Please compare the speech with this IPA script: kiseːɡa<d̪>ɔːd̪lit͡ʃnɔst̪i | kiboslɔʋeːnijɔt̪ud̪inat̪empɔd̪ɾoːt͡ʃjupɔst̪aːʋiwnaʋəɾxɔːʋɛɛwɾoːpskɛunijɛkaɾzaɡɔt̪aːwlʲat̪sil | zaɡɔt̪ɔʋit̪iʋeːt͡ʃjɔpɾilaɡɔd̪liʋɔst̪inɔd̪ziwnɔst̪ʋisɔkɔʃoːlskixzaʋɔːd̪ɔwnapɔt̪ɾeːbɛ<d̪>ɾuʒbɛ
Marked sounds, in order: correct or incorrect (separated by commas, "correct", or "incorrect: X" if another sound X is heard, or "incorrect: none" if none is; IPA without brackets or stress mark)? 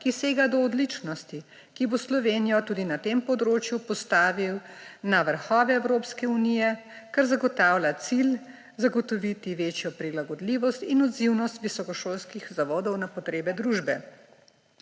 correct, correct